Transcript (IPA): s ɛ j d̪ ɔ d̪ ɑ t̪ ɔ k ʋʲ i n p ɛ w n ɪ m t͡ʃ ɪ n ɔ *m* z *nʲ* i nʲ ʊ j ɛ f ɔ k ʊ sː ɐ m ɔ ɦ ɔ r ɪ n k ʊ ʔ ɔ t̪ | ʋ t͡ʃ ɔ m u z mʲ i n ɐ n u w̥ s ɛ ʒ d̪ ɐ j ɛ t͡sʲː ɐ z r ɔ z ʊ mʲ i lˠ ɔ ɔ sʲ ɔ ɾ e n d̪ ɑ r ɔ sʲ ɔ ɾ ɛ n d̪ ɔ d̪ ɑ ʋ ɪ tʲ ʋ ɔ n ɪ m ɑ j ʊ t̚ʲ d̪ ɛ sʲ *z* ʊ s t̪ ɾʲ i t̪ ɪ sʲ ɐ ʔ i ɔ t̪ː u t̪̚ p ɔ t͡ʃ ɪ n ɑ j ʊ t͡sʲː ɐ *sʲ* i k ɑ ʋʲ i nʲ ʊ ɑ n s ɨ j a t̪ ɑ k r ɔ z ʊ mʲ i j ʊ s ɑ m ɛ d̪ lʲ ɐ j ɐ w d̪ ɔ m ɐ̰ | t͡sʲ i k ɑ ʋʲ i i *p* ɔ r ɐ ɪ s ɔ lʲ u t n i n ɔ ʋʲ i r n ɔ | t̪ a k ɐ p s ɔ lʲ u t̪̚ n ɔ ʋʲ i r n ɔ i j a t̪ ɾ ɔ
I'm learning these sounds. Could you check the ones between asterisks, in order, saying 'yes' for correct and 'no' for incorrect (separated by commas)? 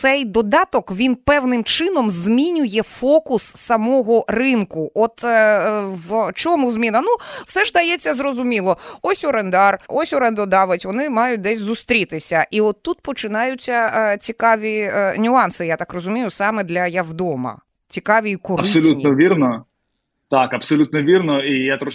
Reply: yes, no, yes, no, no